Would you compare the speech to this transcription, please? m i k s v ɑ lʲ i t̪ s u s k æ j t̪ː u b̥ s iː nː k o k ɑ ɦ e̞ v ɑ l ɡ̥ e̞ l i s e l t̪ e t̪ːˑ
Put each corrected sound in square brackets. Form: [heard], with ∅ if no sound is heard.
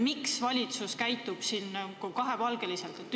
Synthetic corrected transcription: m i k s v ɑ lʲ i t̪ s u s k æ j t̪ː u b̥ s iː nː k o k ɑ ɦ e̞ v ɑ l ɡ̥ e̞ l i s e l t̪ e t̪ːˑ